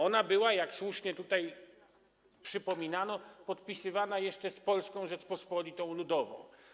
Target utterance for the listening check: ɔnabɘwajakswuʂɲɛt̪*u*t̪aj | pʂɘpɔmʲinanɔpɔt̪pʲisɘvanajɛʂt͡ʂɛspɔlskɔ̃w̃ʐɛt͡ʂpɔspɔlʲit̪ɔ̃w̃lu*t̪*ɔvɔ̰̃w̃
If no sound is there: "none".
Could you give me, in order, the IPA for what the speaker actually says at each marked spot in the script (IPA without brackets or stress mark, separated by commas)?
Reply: u, d̪